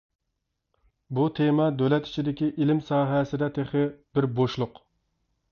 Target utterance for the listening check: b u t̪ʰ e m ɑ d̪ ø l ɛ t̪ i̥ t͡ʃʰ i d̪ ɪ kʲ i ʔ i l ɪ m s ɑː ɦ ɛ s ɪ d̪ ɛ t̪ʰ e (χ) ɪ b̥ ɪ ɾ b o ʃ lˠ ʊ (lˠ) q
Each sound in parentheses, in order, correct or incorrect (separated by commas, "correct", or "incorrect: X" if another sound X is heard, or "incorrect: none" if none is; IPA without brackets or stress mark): correct, incorrect: none